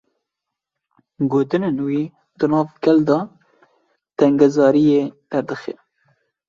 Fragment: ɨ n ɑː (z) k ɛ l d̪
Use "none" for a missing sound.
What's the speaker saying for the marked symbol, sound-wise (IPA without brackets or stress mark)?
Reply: v